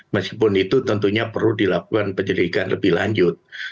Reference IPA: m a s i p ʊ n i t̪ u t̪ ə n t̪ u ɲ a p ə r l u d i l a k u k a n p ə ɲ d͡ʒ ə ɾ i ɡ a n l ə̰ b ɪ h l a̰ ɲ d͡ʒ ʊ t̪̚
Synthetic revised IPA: m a s i p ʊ n i t̪ u t̪ ə n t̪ u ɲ a p ə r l u d i l a k u k a n p ə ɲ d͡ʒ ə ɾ i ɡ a n l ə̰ b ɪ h l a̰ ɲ d͡ʒ ʊ t̪̚